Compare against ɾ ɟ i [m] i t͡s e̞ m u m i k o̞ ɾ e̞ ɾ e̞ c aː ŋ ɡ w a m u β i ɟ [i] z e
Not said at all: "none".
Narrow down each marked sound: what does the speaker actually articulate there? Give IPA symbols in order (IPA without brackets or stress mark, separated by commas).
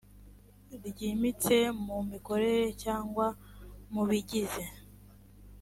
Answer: m, i